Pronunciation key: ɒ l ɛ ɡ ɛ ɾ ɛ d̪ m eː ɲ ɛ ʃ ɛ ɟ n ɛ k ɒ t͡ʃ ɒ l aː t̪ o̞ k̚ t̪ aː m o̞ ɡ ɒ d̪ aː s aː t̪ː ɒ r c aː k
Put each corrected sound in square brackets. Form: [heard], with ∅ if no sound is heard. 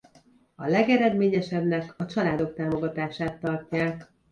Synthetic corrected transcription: ɒ l ɛ ɡ ɛ ɾ ɛ d̪ m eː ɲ ɛ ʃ ɛ [b] n ɛ k ɒ t͡ʃ ɒ l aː [d̪] o̞ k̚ t̪ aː m o̞ ɡ ɒ [t̪] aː [ʃ] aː t̪ː ɒ r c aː k